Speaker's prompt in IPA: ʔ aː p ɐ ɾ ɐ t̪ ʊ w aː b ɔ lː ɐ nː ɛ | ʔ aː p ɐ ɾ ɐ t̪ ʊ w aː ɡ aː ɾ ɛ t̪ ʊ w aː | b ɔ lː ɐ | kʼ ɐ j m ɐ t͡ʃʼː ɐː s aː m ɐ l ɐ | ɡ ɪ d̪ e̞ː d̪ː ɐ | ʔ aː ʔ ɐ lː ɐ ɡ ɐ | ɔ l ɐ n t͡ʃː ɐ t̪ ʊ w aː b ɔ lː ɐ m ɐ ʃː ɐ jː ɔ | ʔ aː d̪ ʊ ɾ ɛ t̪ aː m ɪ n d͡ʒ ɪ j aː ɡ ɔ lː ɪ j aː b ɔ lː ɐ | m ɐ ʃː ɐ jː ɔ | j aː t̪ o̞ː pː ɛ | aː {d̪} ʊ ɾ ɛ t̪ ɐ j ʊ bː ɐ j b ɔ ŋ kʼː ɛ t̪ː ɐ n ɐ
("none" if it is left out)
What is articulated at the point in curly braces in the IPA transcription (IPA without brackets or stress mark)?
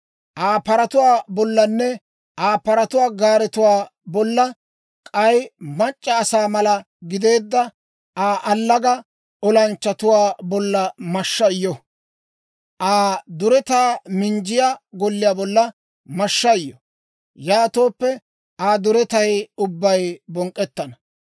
d̪